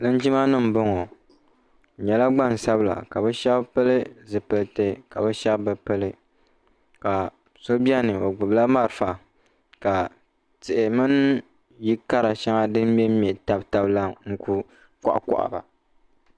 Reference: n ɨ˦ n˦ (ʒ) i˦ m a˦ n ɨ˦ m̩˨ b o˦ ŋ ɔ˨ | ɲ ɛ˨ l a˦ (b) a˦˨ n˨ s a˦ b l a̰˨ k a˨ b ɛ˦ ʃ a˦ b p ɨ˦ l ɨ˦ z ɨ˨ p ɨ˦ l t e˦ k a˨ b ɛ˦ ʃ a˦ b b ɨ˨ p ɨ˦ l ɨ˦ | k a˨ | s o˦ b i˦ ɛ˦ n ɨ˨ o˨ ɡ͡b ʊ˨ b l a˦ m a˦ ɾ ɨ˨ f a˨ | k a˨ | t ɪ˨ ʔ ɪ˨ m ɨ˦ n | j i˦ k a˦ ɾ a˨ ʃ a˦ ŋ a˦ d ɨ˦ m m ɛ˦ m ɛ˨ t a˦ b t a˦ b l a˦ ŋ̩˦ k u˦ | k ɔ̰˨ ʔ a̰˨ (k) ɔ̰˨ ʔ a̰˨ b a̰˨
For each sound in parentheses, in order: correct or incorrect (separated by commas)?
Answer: incorrect, incorrect, correct